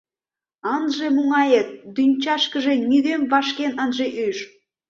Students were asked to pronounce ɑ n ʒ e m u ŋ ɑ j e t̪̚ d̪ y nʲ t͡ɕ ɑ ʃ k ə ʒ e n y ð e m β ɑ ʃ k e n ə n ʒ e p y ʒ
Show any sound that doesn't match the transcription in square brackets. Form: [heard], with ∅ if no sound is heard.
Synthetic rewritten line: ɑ n ʒ e m u ŋ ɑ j e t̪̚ d̪ y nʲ t͡ɕ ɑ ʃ k ə ʒ e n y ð e m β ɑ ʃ k e n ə n ʒ e [ʔ] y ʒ